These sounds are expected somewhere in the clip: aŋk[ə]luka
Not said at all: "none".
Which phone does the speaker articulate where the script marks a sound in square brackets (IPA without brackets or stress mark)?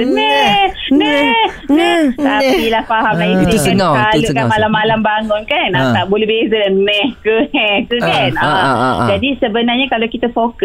a